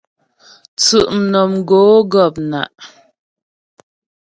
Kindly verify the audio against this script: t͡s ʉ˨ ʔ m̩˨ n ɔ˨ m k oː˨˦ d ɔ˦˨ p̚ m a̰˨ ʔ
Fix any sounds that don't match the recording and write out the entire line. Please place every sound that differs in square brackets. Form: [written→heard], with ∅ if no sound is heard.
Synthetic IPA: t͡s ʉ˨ ʔ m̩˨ n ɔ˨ m [k→ɡ] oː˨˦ [d→ɡ] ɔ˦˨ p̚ [m→n] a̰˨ ʔ